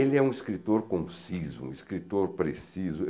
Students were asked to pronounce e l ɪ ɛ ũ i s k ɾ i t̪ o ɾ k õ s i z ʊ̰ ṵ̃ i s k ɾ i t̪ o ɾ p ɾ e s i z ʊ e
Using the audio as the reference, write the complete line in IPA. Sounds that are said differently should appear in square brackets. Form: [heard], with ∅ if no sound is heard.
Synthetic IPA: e l ɪ ɛ ũ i s k ɾ i t̪ o ɾ k õ s i z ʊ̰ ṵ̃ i s k ɾ i t̪ o ɾ p ɾ e s i z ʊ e